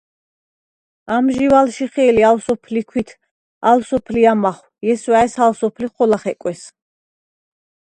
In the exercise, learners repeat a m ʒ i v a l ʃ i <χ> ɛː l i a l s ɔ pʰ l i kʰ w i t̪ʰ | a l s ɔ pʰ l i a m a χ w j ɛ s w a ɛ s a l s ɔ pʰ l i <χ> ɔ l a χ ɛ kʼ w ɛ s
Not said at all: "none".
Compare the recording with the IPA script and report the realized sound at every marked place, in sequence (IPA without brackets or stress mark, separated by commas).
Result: χ, χ